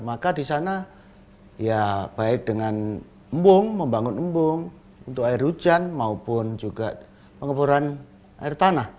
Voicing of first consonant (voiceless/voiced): voiced